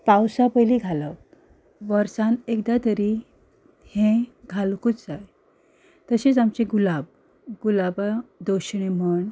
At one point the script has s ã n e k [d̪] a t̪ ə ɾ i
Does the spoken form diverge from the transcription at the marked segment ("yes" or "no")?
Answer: no